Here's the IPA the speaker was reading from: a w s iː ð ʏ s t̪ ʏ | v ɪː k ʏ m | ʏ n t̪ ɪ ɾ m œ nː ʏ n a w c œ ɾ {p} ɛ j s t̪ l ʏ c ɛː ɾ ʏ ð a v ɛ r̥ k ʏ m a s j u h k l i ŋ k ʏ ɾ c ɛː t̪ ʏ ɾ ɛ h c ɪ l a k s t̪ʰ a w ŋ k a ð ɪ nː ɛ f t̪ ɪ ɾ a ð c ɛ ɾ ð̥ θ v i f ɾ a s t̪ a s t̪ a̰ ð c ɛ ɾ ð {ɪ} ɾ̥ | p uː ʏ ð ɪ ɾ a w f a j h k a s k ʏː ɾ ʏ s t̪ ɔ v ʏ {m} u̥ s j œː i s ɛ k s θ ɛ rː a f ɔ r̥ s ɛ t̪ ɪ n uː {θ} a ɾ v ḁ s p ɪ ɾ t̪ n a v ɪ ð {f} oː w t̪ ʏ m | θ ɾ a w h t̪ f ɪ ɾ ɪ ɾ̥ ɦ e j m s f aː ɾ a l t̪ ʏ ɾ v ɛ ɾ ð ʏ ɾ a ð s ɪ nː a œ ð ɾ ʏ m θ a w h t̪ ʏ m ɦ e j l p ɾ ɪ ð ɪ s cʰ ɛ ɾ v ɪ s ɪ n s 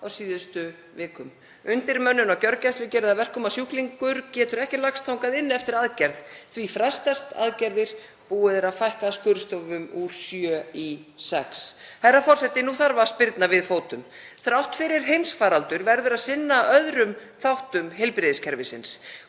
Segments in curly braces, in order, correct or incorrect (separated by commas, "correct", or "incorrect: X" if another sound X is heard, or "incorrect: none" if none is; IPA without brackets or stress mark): incorrect: c, correct, correct, correct, correct